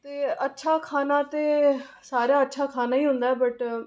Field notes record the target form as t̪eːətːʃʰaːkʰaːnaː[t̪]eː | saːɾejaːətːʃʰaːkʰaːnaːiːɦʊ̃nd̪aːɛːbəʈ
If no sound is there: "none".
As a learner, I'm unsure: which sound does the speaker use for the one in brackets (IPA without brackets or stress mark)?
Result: t̪